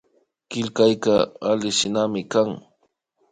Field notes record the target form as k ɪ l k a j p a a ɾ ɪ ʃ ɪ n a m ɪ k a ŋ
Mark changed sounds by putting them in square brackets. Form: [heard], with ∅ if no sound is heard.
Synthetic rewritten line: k ɪ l k a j [k] a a [l] ɪ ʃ ɪ n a m ɪ k a ŋ